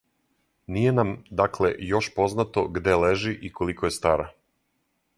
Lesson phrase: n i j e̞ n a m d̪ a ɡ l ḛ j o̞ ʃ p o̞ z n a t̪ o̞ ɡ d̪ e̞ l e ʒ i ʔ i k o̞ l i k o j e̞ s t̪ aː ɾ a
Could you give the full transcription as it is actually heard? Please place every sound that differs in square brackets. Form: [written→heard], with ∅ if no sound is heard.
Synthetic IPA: n i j e̞ n a m d̪ a [ɡ→k] l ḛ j o̞ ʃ p o̞ z n a t̪ o̞ ɡ d̪ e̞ l e ʒ i ʔ i k o̞ l i k o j e̞ s t̪ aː ɾ a